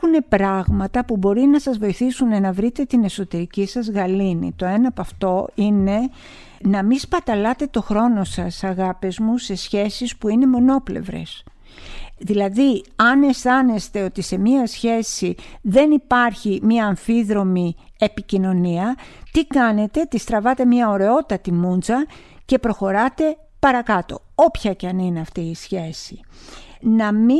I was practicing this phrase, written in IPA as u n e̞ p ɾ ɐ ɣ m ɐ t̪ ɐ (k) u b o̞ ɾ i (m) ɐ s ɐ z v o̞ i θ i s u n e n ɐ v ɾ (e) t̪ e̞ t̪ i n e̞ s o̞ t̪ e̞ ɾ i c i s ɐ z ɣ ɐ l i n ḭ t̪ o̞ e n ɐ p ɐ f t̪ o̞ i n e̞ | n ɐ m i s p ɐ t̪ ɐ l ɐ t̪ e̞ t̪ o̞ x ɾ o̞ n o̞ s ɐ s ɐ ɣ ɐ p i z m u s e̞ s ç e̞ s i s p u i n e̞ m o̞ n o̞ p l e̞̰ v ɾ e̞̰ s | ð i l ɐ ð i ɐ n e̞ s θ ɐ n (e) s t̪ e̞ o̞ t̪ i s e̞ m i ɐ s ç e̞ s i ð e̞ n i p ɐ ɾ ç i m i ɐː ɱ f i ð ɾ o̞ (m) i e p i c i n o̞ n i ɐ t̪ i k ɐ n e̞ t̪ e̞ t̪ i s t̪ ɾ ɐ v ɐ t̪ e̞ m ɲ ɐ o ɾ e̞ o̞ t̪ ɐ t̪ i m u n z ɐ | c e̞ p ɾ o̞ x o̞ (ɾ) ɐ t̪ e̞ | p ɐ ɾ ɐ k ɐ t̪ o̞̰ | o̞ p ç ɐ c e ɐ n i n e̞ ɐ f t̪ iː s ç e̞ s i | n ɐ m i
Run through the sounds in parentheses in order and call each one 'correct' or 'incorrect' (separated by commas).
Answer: incorrect, incorrect, incorrect, correct, correct, correct